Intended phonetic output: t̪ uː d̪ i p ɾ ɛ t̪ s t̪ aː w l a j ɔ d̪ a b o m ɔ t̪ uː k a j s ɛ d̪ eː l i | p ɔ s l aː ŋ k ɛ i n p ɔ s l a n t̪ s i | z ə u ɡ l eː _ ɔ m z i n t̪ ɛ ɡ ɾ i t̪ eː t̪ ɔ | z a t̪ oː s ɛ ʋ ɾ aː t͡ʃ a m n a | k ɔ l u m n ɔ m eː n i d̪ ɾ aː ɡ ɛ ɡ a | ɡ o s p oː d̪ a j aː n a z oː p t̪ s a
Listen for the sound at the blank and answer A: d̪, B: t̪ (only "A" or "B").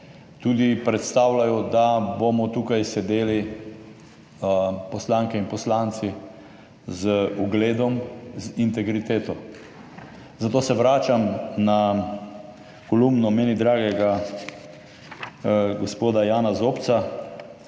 A